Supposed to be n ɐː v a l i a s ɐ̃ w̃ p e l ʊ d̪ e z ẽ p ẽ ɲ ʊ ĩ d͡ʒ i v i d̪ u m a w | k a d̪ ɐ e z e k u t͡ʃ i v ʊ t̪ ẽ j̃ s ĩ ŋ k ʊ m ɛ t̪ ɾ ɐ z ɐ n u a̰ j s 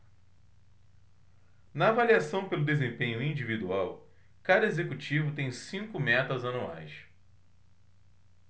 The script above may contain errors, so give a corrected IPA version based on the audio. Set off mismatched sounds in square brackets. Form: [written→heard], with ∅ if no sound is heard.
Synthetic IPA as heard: n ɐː v a l i a s ɐ̃ w̃ p e l ʊ d̪ e z ẽ p ẽ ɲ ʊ ĩ d͡ʒ i v i d̪ u [m→∅] a w | k a d̪ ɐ e z e k u t͡ʃ i v ʊ t̪ ẽ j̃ s ĩ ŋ k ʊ m ɛ t̪ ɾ ɐ z ɐ n u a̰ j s